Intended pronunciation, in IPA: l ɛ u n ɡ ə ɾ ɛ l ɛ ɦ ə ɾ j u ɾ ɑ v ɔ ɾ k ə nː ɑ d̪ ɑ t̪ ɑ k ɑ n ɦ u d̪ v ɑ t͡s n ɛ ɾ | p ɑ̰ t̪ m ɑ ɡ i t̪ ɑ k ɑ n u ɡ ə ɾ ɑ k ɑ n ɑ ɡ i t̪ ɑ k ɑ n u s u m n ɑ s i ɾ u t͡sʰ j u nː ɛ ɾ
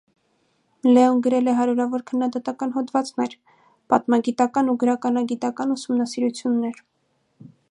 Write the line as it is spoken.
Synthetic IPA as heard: l ɛ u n ɡ ə ɾ ɛ l ɛ ɦ ɑ ɾ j u ɾ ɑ v ɔ ɾ kʰ ə nː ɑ d̪ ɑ t̪ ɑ k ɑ n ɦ ɔ d̪ v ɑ t͡s n ɛ ɾ | p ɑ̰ t̪ m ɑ ɡ i t̪ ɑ k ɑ n u ɡ ə ɾ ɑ k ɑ n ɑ ɡ i t̪ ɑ k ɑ n u s u m n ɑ s i ɾ u t͡sʰ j u nː ɛ ɾ